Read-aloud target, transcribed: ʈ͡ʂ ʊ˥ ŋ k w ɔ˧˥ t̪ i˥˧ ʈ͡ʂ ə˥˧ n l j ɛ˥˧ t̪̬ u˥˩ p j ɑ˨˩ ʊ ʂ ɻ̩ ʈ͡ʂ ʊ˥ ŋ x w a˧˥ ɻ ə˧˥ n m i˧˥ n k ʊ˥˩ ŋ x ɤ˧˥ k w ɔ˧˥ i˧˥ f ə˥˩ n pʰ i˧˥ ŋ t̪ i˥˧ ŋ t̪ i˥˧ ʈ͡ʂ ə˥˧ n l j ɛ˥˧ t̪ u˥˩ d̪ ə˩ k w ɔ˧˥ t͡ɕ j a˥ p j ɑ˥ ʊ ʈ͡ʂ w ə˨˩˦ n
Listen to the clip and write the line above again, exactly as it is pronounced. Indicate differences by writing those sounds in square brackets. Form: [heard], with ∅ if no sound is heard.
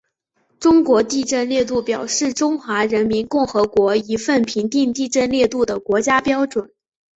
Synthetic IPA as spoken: ʈ͡ʂ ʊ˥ ŋ k w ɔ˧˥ t̪ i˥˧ ʈ͡ʂ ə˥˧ n l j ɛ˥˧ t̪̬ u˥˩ p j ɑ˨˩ ʊ ʂ ɻ̩ ʈ͡ʂ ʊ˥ ŋ x w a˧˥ ɻ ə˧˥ n m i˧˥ n k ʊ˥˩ ŋ x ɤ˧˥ k w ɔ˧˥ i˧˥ f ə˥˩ n pʰ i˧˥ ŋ t̪ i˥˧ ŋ t̪ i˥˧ ʈ͡ʂ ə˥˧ n l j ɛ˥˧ t̪ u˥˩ d̪ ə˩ k w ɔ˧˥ t͡ɕ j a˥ p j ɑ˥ ʊ ʈ͡ʂ w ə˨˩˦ n